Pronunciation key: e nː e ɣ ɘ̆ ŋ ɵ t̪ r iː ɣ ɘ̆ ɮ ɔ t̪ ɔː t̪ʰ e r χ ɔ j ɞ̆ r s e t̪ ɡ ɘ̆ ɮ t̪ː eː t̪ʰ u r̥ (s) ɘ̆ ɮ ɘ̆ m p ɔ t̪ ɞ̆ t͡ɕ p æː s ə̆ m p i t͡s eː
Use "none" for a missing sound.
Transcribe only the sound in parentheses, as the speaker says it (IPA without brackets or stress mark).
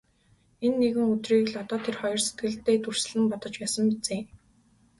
s